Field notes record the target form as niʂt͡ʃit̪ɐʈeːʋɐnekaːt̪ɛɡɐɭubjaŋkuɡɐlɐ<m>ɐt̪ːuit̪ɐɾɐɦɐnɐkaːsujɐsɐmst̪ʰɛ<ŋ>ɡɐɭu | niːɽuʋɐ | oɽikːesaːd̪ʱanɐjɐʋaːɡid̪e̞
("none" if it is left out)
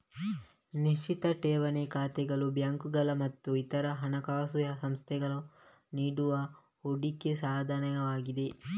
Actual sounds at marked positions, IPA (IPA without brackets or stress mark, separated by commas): m, none